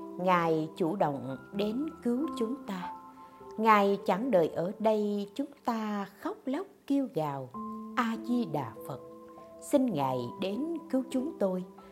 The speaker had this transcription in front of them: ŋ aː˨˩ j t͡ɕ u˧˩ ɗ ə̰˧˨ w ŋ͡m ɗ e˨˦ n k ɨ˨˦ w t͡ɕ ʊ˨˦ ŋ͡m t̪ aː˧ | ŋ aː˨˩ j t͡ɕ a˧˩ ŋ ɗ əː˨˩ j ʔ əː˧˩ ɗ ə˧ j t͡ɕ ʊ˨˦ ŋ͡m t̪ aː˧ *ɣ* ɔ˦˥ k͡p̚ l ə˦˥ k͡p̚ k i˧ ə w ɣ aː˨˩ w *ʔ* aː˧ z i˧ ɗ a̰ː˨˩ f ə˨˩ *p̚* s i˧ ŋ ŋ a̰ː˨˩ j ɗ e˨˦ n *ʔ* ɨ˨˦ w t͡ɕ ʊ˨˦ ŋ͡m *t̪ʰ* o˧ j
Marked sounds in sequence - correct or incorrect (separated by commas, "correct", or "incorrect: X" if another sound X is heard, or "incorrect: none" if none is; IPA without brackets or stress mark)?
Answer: incorrect: x, correct, incorrect: t̚, incorrect: k, incorrect: t̪